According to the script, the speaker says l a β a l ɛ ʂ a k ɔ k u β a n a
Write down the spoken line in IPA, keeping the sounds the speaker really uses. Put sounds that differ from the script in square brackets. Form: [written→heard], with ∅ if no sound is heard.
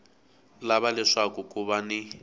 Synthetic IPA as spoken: l a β a l ɛ ʂ a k [ɔ→u] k u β a n [a→i]